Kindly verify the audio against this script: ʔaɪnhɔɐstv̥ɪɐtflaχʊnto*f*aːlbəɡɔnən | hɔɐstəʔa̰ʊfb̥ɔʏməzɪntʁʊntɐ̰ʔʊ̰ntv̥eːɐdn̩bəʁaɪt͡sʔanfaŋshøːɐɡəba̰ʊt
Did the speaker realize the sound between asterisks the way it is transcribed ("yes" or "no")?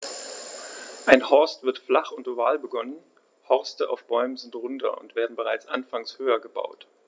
no